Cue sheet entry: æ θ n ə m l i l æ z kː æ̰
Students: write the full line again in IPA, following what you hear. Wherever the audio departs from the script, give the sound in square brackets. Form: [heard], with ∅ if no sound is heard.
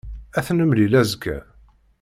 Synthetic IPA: æ θ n ə m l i l æ z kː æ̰